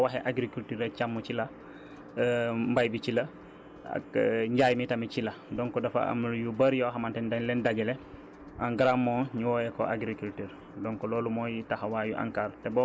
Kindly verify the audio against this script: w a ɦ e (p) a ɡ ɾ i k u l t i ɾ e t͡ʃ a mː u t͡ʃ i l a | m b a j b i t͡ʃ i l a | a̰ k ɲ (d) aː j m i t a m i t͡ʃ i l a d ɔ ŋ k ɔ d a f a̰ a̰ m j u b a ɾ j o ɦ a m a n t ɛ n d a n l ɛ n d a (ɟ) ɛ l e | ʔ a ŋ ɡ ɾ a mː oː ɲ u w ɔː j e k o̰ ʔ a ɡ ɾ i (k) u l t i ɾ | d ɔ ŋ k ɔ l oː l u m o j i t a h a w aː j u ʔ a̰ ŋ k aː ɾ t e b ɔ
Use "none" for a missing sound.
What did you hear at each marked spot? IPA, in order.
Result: ʔ, ɟ, ɡ, k

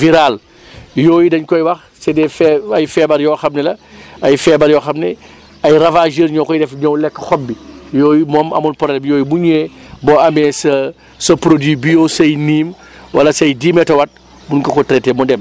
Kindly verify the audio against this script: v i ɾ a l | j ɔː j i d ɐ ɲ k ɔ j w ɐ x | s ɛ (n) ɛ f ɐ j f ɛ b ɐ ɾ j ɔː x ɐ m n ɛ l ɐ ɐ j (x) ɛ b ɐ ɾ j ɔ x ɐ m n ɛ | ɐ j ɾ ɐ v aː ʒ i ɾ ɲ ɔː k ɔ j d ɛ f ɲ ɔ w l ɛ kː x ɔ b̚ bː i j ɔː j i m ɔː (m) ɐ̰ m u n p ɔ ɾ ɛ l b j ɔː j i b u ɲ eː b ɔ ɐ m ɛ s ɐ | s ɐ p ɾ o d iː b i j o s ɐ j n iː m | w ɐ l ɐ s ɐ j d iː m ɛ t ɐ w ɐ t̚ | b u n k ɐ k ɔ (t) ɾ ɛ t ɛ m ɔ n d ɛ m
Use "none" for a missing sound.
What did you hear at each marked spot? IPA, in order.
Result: d, f, m, t

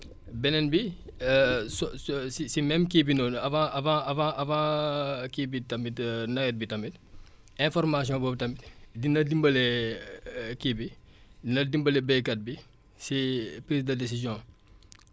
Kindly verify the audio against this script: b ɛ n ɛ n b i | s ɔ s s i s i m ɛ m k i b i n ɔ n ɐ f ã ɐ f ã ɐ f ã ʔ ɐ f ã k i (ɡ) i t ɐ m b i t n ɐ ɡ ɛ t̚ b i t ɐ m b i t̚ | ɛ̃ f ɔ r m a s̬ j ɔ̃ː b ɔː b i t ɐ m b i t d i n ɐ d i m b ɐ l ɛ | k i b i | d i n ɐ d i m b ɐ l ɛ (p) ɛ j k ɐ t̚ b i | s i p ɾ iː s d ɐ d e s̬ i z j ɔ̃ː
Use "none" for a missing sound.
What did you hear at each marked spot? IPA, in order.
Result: b, b

